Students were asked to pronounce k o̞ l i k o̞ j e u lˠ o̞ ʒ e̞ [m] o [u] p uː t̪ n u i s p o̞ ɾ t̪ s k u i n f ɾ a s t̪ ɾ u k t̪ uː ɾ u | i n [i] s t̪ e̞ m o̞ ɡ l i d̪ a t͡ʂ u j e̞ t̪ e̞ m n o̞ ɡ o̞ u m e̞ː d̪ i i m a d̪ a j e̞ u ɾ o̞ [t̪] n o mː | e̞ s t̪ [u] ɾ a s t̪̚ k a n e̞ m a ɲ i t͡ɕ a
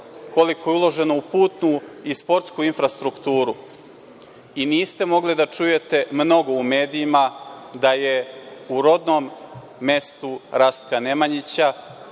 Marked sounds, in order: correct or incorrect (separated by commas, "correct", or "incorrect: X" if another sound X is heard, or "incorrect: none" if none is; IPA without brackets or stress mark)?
incorrect: n, correct, incorrect: iː, incorrect: d̪, correct